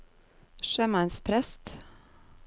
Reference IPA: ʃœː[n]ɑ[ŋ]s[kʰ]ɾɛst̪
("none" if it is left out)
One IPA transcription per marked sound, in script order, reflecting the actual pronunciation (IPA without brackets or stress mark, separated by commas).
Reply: m, n, pʰ